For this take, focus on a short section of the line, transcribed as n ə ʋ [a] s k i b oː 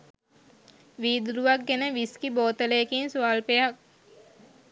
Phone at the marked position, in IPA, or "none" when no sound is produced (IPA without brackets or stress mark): i